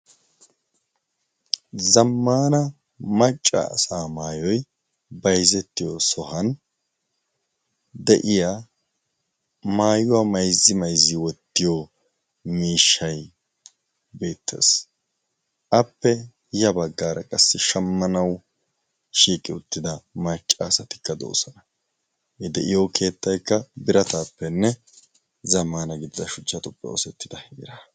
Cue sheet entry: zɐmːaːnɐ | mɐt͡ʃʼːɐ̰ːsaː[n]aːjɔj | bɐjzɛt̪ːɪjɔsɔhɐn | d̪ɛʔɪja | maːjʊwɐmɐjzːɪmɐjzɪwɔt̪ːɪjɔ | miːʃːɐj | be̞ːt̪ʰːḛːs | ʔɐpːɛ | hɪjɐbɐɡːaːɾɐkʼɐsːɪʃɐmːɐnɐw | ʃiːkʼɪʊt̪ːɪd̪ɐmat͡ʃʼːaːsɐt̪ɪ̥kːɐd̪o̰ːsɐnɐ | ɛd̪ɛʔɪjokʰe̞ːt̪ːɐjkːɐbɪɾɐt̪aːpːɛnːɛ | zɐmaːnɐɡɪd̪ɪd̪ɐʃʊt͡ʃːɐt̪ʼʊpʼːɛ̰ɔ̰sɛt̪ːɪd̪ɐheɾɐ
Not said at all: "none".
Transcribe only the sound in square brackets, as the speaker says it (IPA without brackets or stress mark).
m